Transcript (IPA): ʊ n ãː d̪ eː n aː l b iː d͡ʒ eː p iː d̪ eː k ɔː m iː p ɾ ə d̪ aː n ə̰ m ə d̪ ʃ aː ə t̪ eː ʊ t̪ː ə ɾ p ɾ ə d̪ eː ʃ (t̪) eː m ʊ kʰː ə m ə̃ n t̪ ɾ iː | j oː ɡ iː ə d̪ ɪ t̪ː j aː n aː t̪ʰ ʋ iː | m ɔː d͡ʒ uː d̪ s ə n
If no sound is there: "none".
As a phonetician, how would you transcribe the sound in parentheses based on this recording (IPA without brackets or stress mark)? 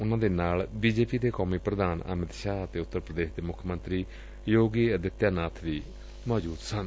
d̪